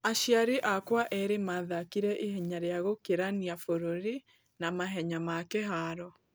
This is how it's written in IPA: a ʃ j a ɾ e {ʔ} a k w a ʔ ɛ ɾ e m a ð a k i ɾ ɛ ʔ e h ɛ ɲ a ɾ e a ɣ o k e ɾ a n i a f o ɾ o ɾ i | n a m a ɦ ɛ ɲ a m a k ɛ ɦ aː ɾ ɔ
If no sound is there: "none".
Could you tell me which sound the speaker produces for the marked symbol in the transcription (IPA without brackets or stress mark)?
ʔ